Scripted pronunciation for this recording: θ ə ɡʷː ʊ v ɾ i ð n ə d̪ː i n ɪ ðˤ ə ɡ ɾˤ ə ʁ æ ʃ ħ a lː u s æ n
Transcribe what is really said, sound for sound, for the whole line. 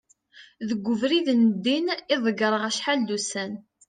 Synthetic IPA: ð ə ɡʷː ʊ v ɾ i ð n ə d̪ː i n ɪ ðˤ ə ɡ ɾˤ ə ʁ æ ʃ ħ a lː u s æ n